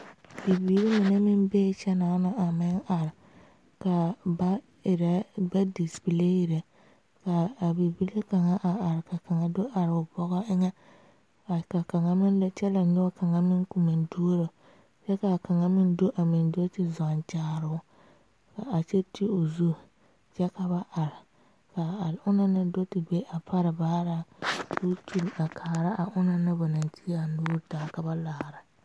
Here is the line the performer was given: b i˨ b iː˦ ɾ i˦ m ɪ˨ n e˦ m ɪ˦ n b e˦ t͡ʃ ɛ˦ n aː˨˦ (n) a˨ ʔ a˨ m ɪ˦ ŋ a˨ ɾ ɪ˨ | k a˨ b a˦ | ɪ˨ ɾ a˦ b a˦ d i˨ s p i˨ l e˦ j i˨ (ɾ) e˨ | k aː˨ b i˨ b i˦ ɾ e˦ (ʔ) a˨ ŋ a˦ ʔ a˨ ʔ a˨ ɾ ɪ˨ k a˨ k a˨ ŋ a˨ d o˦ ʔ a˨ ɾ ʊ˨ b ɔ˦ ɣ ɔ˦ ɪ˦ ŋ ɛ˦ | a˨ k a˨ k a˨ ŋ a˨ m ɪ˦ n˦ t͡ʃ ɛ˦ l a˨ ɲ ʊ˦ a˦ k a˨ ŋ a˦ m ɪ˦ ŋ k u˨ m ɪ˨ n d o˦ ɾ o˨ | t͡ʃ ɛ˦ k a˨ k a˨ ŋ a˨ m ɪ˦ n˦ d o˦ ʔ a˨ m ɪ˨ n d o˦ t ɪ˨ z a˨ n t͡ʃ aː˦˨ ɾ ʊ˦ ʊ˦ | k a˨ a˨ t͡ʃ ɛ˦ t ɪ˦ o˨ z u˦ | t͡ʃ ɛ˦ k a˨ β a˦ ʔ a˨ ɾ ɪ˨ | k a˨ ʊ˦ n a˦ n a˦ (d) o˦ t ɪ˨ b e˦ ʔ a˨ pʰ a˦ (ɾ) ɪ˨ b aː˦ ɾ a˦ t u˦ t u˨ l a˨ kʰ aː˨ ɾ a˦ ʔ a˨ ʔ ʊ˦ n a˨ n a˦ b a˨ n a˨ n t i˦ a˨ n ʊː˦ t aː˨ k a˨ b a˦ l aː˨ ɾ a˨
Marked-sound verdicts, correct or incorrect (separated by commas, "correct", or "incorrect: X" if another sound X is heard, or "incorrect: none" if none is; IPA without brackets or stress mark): correct, correct, incorrect: k, correct, correct